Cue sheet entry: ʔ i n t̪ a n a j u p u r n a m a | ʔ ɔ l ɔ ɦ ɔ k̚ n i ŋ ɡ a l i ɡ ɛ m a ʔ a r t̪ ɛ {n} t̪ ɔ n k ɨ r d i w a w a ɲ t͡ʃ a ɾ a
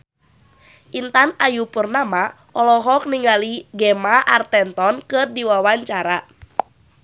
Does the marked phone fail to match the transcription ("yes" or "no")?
no